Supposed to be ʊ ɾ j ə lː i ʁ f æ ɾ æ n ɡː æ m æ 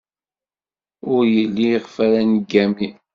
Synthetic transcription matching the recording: ʊ ɾ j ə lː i ʁ f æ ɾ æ n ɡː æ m i